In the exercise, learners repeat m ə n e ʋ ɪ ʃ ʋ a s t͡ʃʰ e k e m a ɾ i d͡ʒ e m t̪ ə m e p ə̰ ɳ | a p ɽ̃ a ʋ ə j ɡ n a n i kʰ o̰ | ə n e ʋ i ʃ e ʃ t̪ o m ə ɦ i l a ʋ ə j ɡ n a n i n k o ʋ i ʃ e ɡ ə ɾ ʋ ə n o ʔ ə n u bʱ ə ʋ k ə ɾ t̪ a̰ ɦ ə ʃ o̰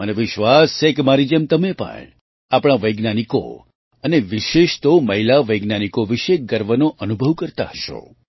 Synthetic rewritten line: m ə n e ʋ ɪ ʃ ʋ a s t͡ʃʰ e k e m a ɾ i d͡ʒ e m t̪ ə m e p ə̰ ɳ | a p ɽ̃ a ʋ ə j ɡ n a n i k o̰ | ə n e ʋ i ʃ e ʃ t̪ o m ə ɦ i l a ʋ ə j ɡ n a n i k o ʋ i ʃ e ɡ ə ɾ ʋ ə n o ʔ ə n u bʱ ə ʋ k ə ɾ t̪ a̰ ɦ ə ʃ o̰